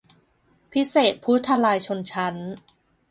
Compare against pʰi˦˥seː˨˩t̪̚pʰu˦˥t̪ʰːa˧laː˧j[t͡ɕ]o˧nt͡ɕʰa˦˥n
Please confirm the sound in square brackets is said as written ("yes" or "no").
no